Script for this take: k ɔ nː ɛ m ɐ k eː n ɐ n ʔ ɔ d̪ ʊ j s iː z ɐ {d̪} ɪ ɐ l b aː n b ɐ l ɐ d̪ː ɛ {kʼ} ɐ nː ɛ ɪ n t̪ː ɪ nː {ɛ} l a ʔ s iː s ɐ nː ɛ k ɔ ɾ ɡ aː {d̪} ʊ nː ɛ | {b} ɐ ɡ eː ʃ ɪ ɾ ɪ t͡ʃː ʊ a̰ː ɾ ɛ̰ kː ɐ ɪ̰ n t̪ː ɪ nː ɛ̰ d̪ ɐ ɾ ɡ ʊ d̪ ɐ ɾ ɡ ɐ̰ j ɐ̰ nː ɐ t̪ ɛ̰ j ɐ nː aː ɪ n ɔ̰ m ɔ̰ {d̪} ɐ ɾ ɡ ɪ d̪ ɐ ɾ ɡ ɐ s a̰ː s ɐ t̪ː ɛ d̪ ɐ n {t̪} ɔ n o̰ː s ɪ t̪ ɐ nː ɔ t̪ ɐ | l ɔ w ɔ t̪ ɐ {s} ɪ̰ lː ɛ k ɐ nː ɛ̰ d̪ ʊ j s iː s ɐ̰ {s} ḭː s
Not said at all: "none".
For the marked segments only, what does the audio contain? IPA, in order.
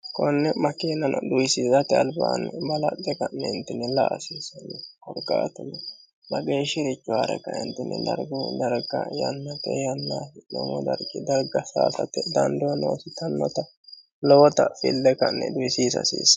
t̪, k, ɛ, t̪, b, d̪, d̪, f, s

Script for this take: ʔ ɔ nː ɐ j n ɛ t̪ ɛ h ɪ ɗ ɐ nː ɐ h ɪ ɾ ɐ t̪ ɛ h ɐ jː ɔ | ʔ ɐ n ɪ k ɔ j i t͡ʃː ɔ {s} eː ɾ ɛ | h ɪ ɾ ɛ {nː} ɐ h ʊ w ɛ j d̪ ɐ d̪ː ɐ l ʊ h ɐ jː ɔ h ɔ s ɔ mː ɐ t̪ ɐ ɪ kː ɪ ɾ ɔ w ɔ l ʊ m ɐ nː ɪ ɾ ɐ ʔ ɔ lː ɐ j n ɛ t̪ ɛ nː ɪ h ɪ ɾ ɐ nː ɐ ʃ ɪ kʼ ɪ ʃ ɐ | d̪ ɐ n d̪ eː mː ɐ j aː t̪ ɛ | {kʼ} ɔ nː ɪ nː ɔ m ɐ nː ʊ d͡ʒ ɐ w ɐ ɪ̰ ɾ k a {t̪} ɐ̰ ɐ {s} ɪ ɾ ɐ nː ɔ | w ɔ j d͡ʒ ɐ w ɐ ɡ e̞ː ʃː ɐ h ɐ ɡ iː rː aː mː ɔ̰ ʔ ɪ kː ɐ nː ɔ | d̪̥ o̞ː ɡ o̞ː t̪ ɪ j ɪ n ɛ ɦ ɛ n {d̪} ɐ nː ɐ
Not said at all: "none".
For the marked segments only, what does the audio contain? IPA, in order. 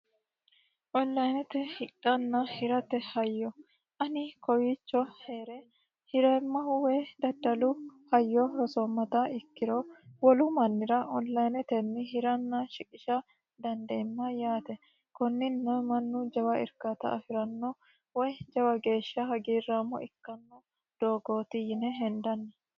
h, mː, k, t̪, f, d̪

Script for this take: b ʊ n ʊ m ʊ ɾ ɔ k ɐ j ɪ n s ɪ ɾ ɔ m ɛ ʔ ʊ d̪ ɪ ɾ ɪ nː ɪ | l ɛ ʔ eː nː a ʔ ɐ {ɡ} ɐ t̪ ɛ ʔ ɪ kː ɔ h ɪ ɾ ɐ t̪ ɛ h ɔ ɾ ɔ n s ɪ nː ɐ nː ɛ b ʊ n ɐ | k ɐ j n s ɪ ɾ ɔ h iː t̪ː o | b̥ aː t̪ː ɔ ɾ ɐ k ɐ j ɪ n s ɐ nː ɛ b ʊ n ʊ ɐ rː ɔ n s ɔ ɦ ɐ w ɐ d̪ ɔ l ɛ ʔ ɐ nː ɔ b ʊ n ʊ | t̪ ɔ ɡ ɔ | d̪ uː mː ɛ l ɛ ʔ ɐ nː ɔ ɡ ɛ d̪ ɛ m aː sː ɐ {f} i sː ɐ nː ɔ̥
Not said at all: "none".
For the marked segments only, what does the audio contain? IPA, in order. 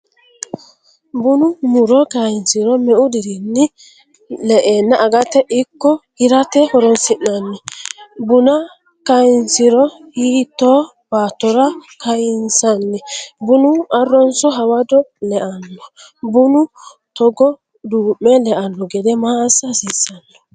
ɡ, s

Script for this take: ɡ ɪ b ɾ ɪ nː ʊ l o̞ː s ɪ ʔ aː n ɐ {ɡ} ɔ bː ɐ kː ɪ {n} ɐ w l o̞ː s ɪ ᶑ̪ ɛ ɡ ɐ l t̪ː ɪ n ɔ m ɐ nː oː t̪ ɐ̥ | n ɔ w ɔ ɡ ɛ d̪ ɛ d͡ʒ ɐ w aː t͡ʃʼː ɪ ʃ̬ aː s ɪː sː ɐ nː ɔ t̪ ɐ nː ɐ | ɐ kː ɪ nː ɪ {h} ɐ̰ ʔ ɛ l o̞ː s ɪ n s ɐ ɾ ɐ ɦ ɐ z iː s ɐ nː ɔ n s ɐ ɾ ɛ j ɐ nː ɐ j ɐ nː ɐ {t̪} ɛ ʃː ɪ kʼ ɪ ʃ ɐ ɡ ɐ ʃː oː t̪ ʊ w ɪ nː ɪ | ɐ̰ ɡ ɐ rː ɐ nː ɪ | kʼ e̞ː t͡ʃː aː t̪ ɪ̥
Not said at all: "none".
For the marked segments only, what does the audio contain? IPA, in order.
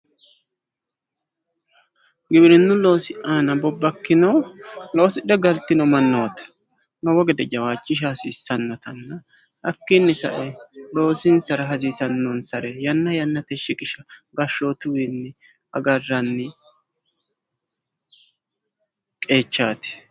b, n, s, t̪

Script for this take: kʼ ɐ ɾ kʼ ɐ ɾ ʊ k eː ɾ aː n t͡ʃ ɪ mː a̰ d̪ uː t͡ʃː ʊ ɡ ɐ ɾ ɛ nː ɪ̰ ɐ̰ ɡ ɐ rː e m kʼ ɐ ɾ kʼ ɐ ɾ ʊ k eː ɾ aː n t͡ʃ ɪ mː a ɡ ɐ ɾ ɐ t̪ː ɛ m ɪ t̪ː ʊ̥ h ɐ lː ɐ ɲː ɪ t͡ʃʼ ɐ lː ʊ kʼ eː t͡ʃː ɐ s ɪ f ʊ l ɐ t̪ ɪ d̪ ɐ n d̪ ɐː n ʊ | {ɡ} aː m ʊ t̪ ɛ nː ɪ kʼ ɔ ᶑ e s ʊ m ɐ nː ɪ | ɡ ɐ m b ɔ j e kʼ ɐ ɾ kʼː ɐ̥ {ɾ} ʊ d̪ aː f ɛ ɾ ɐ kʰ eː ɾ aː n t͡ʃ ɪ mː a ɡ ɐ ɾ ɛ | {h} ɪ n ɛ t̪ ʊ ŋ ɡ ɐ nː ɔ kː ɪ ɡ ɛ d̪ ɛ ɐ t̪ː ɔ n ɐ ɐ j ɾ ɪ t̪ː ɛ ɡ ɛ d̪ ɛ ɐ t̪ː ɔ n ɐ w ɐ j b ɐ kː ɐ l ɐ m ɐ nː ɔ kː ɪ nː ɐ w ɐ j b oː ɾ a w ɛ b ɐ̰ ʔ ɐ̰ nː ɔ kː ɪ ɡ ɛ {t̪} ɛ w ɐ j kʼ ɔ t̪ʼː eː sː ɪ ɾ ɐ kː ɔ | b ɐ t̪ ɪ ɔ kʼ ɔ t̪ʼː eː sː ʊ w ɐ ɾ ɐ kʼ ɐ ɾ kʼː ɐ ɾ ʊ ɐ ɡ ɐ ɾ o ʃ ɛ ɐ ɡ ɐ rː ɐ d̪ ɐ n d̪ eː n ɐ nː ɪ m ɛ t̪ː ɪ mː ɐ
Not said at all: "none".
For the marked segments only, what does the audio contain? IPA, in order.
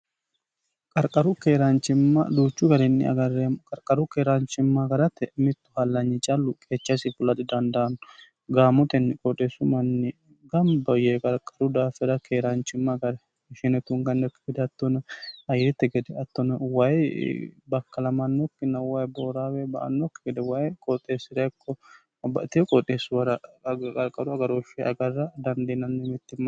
ɡ, ɾ, ʃ, d̪

